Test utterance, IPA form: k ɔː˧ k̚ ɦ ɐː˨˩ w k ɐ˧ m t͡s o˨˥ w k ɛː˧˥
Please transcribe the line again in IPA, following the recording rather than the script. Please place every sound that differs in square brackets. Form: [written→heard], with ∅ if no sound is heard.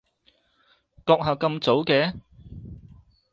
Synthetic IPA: k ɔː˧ k̚ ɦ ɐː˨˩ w k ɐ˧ m t͡s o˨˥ w k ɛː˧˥

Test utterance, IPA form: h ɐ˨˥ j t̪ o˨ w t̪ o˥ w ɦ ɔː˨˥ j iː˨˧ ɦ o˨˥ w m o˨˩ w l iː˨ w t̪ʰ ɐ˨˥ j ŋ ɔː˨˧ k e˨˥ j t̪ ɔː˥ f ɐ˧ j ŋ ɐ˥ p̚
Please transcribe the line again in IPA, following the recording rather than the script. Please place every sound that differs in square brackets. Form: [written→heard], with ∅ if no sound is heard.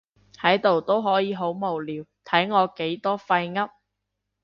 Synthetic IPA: h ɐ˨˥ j t̪ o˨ w t̪ o˥ w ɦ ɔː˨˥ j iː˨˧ ɦ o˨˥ w m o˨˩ w l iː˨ w t̪ʰ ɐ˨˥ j ŋ ɔː˨˧ k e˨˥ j t̪ ɔː˥ f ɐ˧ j ŋ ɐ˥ p̚

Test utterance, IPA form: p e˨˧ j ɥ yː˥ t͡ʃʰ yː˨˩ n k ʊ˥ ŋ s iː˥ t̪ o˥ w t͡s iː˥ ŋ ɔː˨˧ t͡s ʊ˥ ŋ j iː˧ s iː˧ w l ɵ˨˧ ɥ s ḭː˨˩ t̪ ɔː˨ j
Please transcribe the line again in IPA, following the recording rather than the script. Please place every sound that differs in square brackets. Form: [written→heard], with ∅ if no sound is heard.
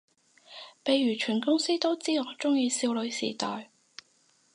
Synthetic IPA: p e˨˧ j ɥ [yː˥→yː˨˩] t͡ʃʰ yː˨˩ n k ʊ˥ ŋ s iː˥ t̪ o˥ w t͡s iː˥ ŋ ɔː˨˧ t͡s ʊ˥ ŋ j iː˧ s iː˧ w l ɵ˨˧ ɥ s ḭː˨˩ t̪ ɔː˨ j

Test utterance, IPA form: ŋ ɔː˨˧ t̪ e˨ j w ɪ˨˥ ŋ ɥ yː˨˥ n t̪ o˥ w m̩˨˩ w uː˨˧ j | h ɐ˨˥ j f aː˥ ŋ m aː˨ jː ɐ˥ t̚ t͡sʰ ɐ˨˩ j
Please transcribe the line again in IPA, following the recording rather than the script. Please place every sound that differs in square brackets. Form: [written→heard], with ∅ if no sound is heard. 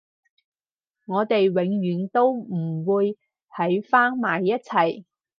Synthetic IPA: ŋ ɔː˨˧ t̪ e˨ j w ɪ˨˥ ŋ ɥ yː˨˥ n t̪ o˥ w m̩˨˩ w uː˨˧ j | h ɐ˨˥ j f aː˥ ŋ m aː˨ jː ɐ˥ t̚ t͡sʰ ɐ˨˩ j

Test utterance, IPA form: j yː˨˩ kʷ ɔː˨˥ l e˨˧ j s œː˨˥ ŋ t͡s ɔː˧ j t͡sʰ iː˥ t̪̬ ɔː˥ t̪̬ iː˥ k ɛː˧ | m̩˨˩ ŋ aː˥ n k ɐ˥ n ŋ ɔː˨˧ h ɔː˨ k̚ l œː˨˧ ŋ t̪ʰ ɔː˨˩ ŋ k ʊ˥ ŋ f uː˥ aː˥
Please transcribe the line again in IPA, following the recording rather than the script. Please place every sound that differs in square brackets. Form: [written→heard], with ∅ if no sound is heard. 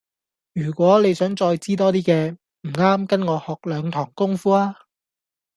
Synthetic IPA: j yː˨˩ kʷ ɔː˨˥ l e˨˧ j s œː˨˥ ŋ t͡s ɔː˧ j [t͡sʰ→t͡s] iː˥ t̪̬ ɔː˥ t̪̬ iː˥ k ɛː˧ | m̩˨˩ ŋ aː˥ [n→m] k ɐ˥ n ŋ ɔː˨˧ h ɔː˨ k̚ l œː˨˧ ŋ t̪ʰ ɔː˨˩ ŋ k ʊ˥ ŋ f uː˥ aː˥

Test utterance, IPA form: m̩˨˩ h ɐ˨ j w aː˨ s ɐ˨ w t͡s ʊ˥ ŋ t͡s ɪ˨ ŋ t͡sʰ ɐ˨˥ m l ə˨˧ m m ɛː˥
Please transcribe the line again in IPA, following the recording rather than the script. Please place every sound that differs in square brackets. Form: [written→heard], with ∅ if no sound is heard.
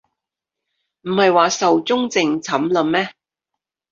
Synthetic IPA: m̩˨˩ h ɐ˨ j w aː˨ s ɐ˨ w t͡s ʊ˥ ŋ t͡s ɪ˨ ŋ t͡sʰ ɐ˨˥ m l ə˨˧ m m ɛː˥

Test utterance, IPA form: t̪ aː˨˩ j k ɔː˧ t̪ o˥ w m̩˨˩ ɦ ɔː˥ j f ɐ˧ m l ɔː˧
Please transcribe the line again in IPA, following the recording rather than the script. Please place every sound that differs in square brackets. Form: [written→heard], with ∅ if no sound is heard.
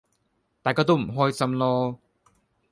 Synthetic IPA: t̪ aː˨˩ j k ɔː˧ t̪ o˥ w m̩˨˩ ɦ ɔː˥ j [f→s] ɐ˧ m l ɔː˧

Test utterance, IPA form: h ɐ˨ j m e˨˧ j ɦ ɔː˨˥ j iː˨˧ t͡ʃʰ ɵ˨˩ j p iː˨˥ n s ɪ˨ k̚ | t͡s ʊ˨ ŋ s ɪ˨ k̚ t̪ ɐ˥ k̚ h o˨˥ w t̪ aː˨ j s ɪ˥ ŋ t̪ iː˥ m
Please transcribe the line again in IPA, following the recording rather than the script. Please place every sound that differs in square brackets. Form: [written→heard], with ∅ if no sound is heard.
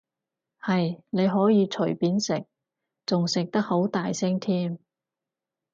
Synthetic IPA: h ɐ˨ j [m→n] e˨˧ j ɦ ɔː˨˥ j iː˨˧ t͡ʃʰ ɵ˨˩ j p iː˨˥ n s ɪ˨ k̚ | t͡s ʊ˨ ŋ s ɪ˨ k̚ t̪ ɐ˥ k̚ h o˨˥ w t̪ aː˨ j s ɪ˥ ŋ [t̪→t̪ʰ] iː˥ m

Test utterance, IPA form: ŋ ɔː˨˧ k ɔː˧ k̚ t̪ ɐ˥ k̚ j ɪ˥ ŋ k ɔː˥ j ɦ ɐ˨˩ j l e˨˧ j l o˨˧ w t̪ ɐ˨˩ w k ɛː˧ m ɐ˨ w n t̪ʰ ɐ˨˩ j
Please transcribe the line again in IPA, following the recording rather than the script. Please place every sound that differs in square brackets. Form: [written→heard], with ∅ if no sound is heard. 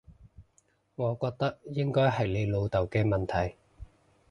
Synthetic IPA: ŋ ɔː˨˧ k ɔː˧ k̚ t̪ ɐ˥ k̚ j ɪ˥ ŋ k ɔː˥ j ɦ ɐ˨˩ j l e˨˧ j l o˨˧ w t̪ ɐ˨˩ w k ɛː˧ m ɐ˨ [w→∅] n t̪ʰ ɐ˨˩ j

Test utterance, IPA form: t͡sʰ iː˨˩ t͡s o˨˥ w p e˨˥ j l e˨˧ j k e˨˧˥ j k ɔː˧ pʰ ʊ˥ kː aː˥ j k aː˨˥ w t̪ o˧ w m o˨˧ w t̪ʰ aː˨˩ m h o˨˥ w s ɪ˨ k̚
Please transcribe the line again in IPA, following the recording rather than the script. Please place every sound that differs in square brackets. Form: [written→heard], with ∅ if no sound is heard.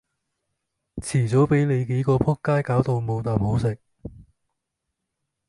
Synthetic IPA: t͡sʰ iː˨˩ t͡s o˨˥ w p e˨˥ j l e˨˧ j k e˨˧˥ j k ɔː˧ pʰ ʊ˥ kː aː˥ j k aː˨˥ w t̪ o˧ w m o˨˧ w [t̪ʰ→t̪] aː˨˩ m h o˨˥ w s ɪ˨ k̚

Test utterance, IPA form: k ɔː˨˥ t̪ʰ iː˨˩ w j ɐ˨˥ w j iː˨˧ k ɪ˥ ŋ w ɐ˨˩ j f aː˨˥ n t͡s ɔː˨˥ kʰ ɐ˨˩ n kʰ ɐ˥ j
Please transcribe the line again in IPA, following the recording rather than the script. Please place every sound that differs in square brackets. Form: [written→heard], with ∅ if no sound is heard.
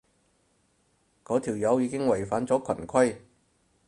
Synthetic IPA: k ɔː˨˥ t̪ʰ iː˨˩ w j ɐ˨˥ w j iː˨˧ k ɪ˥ ŋ w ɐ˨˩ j f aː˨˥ n t͡s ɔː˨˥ kʰ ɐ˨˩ n kʰ ɐ˥ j

